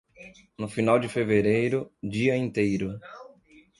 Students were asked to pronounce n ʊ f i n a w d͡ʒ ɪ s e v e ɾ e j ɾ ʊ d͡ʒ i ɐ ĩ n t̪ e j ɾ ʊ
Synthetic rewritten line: n ʊ f i n a w d͡ʒ ɪ f e v e ɾ e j ɾ ʊ d͡ʒ i ɐ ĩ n t̪ e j ɾ ʊ